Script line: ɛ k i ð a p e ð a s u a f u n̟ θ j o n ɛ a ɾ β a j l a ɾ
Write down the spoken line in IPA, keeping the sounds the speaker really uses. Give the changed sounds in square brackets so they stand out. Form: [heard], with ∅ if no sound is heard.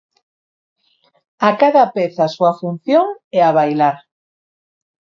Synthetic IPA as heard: [a] k [a] ð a p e [θ] a s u a f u n̟ θ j o [ŋ] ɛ a [∅] β a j l a ɾ